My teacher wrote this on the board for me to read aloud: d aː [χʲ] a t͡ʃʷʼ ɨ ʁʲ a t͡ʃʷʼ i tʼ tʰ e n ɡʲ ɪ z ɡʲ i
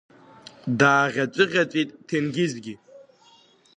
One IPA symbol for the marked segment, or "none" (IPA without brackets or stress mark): ʁʲ